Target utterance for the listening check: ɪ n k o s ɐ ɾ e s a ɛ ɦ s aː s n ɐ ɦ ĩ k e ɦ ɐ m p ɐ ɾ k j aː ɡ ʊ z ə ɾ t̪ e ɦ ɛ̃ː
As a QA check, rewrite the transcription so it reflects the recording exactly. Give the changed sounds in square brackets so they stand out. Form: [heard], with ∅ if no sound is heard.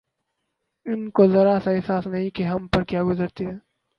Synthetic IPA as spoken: ɪ n k o [z] ɐ ɾ [a] s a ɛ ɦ s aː s n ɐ ɦ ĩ k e ɦ ɐ m p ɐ ɾ k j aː ɡ ʊ z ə ɾ t̪ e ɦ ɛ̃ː

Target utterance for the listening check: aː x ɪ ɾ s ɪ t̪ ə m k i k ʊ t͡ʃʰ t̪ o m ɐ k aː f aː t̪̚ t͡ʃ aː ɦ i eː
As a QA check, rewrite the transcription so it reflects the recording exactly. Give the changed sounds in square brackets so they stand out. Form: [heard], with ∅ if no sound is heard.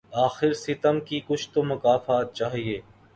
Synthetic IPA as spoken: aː x ɪ ɾ s ɪ t̪ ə m k i k ʊ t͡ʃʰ t̪ o m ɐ k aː f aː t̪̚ t͡ʃ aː ɦ i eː

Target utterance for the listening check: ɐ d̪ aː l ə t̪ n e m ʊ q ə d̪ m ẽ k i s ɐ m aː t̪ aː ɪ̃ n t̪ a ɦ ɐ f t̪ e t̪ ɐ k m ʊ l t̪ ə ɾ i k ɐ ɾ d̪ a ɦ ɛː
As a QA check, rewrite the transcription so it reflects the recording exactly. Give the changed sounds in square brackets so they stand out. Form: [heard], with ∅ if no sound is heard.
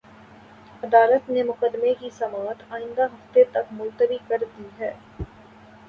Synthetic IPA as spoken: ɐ d̪ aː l ə t̪ n e m ʊ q ə d̪ m [e] k i s ɐ m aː t̪ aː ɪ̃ n [d̪] a ɦ ɐ f t̪ e t̪ ɐ k m ʊ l t̪ ə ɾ i k ɐ ɾ d̪ [i] ɦ ɛː

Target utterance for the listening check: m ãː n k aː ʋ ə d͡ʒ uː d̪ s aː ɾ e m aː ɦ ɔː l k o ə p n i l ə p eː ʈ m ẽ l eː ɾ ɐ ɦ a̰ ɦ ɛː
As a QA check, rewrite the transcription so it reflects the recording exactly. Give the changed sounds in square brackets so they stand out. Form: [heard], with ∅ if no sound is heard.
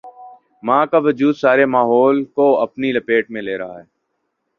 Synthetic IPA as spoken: m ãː [∅] k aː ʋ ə d͡ʒ uː d̪ s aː ɾ e m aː ɦ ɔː l k o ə p n i l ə p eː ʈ m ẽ l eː ɾ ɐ ɦ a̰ ɦ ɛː

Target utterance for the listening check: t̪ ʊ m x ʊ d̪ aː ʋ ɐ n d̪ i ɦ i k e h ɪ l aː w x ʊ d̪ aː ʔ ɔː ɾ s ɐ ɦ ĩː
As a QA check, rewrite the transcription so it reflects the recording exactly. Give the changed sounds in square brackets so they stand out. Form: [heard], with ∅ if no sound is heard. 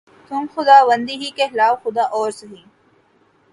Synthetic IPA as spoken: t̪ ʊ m x ʊ d̪ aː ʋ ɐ n d̪ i ɦ i k e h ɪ l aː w x ʊ d̪ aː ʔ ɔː ɾ s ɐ ɦ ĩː

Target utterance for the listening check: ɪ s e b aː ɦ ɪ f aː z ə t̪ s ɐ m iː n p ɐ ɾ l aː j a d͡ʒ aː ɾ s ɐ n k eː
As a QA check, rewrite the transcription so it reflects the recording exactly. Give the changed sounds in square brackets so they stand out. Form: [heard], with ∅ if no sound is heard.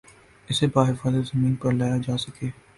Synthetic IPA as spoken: ɪ s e b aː ɦ ɪ f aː z ə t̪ [z] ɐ m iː n p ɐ ɾ l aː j a d͡ʒ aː [∅] s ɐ [∅] k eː

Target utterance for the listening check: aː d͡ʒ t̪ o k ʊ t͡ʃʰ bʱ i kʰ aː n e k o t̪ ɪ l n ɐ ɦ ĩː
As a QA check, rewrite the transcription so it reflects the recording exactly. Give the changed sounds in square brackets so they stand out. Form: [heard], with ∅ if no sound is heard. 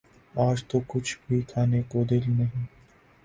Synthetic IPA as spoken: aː d͡ʒ t̪ o k ʊ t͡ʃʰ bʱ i kʰ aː n e k o [d̪] ɪ l n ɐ ɦ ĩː

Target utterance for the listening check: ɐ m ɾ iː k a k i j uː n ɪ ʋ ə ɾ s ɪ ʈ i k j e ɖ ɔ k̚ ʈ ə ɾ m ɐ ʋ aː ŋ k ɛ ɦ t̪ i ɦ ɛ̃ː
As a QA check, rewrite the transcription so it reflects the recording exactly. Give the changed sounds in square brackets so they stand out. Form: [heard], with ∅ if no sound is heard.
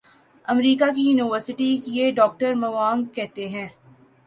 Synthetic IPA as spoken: ɐ m ɾ iː k a k i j uː n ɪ ʋ ə ɾ s ɪ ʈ i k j e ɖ [ɔː] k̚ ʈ ə ɾ m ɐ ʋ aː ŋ k ɛ ɦ t̪ [e] ɦ ɛ̃ː

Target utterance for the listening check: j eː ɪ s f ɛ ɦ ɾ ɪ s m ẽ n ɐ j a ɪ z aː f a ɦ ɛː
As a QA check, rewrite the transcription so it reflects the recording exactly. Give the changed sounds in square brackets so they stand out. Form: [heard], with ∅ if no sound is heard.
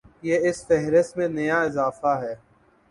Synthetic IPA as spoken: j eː ɪ s f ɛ ɦ ɾ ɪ s m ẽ n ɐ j a ɪ z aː f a ɦ ɛː

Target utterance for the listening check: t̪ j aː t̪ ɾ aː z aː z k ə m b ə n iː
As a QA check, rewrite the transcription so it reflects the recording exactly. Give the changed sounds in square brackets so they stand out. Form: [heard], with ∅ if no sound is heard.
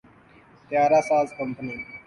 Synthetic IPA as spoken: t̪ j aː [∅] ɾ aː [s] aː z k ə m [p] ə n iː

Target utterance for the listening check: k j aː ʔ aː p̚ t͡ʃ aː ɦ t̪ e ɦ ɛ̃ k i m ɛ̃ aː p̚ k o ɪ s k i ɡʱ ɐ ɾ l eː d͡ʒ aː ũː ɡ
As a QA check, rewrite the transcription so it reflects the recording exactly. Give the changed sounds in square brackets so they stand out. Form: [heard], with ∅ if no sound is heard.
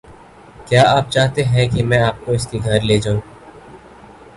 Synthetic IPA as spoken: k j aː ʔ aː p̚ t͡ʃ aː ɦ t̪ e ɦ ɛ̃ k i m ɛ̃ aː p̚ k o ɪ s k i ɡʱ ɐ ɾ l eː d͡ʒ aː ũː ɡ

